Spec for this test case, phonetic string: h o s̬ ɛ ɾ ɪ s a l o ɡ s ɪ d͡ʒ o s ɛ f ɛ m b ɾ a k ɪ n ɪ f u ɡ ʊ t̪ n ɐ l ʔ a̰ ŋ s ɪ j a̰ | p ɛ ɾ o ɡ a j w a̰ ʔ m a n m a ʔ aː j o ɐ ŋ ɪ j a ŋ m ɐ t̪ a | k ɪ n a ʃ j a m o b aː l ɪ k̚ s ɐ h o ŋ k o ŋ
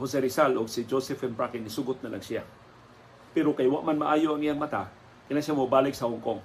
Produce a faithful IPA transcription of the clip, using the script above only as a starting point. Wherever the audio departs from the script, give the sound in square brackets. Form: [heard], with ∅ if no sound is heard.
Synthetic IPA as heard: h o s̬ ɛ ɾ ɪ s a l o ɡ s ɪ d͡ʒ o s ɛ f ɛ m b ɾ a k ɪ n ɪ [s] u ɡ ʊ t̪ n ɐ l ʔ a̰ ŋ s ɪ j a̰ | p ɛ ɾ o [k] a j w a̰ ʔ m a n m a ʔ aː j o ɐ ŋ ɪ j a ŋ m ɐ t̪ a | k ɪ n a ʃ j a m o b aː l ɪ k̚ s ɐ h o ŋ k o ŋ